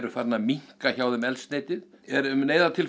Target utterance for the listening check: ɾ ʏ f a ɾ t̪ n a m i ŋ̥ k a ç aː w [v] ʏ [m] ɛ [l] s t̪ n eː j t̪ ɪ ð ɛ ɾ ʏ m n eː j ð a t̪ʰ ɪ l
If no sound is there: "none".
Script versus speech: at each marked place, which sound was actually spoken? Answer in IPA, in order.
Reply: ð, m, l

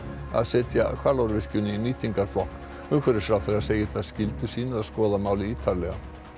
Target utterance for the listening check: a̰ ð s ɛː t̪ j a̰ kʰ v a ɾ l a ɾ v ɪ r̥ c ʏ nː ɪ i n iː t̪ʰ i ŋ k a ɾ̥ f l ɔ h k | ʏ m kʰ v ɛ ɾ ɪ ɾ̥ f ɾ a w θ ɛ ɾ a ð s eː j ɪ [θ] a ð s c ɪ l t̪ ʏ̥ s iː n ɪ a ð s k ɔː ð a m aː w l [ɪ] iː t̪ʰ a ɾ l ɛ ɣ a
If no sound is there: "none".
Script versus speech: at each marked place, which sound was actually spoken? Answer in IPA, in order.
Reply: θ, ɪ

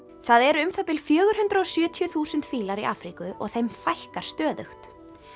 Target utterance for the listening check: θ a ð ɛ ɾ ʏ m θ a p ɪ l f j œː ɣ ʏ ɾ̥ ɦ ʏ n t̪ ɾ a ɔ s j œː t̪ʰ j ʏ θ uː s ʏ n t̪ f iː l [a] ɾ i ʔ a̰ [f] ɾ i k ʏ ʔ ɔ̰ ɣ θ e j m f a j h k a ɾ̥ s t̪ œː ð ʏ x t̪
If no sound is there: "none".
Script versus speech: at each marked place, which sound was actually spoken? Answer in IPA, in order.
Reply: a, f

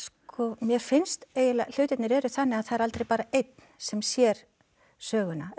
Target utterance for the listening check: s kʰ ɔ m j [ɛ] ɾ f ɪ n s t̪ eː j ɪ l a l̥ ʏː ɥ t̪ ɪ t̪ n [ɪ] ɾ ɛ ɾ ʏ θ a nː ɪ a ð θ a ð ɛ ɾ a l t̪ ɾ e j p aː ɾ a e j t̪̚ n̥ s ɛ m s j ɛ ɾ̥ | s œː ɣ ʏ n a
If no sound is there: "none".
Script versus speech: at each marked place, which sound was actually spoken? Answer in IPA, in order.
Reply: ɛ, ɪ

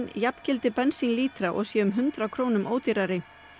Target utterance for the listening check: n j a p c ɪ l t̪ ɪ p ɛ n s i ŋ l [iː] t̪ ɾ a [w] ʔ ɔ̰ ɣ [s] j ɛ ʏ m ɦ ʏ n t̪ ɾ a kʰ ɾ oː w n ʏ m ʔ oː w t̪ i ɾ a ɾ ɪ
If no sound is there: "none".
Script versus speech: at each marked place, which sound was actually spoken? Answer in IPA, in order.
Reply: iː, none, s

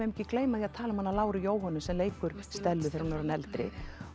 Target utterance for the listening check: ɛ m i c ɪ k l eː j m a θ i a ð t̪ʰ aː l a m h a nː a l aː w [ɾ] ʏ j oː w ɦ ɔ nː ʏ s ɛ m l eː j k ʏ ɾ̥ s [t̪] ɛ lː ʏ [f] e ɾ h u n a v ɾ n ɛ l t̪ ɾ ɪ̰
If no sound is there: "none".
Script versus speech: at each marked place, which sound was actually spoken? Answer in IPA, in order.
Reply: ɾ, t̪, θ

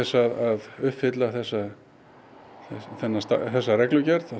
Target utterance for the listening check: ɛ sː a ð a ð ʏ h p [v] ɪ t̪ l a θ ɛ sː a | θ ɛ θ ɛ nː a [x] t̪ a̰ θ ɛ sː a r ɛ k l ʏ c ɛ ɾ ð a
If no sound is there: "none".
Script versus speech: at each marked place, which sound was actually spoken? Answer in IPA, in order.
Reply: f, s

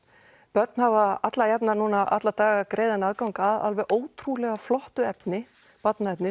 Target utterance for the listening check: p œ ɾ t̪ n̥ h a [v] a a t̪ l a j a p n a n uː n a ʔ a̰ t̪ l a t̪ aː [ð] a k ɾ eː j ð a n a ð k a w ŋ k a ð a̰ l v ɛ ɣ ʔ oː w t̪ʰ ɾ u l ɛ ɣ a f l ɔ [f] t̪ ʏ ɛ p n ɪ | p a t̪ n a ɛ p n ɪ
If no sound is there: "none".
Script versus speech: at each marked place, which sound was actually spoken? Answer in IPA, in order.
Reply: v, ɣ, h

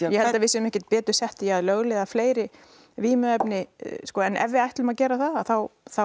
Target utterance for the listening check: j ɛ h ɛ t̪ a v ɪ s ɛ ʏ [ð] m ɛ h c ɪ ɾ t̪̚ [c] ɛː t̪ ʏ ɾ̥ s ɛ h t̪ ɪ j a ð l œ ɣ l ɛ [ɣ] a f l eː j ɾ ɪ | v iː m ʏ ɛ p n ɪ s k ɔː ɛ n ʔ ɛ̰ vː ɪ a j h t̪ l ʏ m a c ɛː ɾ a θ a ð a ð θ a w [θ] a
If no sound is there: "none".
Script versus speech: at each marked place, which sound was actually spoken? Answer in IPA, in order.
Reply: none, p, ð, θ

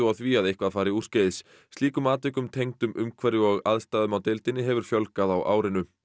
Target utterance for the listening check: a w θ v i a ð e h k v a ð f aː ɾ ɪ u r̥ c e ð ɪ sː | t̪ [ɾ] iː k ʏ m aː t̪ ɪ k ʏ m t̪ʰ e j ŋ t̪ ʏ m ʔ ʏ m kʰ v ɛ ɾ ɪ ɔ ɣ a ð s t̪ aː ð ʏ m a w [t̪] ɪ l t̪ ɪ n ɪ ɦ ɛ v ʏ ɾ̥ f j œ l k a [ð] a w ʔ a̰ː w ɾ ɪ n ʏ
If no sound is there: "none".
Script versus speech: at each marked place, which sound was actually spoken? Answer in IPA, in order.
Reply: l, t̪, ð

